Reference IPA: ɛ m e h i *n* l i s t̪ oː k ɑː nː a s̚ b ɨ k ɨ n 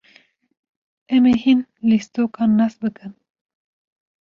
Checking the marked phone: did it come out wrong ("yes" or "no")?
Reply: no